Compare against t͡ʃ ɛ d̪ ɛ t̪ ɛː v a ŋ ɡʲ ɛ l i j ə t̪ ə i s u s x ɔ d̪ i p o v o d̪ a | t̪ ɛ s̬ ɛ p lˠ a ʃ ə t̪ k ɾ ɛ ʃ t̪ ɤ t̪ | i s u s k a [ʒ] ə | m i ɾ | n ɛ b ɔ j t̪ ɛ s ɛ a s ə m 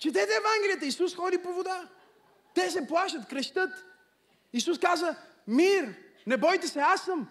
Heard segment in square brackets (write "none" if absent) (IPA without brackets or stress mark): z